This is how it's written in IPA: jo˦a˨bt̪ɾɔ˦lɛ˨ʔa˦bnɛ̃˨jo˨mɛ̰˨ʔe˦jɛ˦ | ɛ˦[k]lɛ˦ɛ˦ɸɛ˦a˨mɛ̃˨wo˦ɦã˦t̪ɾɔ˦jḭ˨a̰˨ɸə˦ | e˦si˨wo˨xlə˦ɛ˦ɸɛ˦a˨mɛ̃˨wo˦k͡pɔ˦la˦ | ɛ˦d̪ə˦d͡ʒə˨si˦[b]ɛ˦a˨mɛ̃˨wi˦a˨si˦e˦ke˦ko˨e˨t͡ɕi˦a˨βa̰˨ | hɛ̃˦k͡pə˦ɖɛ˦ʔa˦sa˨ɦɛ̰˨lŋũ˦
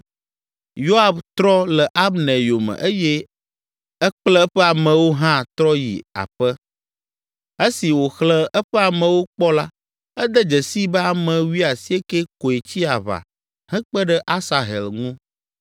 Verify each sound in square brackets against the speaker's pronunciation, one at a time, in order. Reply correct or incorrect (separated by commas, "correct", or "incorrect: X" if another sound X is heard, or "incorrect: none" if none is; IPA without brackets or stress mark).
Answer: incorrect: k͡p, correct